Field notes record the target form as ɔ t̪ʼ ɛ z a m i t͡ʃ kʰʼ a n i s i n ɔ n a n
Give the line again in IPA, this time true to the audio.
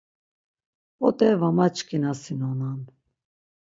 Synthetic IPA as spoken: ɔ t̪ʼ ɛ v a m a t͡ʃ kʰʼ i n a s i n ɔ n a n